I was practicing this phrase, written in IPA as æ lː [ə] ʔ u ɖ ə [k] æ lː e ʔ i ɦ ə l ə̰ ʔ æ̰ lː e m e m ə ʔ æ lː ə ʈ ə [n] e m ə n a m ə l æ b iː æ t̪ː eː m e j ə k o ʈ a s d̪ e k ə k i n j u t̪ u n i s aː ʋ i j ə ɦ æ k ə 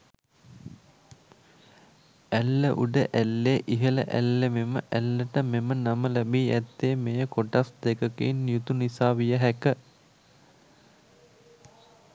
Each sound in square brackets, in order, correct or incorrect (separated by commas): correct, incorrect, incorrect